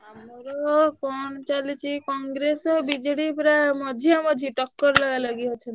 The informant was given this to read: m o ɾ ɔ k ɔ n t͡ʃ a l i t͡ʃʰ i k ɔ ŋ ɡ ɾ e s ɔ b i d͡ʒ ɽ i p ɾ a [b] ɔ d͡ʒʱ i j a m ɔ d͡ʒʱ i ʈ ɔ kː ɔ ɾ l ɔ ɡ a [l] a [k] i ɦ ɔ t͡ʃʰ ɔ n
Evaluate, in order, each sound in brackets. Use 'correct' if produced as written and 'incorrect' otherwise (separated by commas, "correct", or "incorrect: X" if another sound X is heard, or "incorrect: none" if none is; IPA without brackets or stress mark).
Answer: incorrect: m, correct, incorrect: ɡ